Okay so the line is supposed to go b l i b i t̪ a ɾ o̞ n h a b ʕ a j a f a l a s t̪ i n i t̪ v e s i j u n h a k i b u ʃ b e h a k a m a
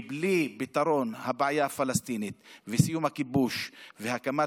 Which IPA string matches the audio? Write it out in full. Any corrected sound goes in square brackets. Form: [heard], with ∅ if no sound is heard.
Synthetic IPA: b l i b i t̪ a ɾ o̞ n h a b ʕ a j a f a l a s t̪ i n i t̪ v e s i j u [m] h a k i b u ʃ [v] e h a k a m a